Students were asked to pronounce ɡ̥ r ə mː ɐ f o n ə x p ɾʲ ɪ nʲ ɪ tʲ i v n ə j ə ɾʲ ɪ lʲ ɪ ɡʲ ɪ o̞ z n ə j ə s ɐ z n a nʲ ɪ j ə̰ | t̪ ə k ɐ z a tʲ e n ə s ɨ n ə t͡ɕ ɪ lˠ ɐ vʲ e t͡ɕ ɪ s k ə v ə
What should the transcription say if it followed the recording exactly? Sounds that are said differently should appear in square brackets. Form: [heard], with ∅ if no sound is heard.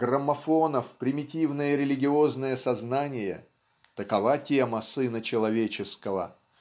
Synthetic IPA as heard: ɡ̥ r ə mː ɐ f o n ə [f] p ɾʲ ɪ [mʲ] ɪ tʲ i v n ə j ə ɾʲ ɪ lʲ ɪ ɡʲ ɪ o̞ z n ə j ə s ɐ z n a nʲ ɪ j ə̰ | t̪ ə k ɐ [v] a tʲ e [m] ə s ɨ n ə t͡ɕ ɪ lˠ ɐ vʲ e t͡ɕ ɪ s k ə v ə